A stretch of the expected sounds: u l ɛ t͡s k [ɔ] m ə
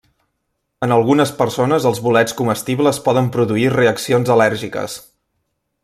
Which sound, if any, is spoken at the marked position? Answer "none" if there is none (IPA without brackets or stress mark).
u